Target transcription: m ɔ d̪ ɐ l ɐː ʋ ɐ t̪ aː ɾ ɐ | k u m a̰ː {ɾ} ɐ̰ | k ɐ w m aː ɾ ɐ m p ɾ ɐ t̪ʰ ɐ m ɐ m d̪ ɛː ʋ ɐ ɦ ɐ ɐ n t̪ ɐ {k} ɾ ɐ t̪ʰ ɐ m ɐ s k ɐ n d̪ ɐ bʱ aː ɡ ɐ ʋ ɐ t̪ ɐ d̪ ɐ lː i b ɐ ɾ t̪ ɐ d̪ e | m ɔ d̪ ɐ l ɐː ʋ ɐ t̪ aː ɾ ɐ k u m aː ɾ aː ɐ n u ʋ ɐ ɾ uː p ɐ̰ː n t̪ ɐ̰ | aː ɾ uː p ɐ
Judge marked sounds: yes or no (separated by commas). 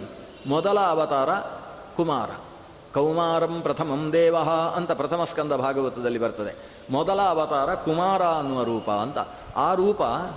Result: yes, no